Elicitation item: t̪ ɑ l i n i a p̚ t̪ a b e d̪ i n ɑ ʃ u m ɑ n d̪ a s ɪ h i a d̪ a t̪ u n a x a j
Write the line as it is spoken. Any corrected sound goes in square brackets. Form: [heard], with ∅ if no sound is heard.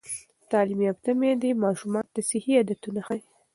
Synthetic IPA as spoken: t̪ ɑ l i [m] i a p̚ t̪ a [m] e d̪ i [m] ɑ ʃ u m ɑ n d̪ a s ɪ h i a d̪ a t̪ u n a x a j